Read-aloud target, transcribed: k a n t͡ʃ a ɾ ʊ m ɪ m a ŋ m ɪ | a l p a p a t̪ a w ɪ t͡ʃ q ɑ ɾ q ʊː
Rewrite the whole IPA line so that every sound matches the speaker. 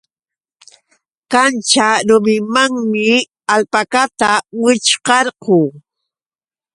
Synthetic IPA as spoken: k a n t͡ʃ a ɾ ʊ m ɪ m a ŋ m ɪ | a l p a k a t̪ a w ɪ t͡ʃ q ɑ ɾ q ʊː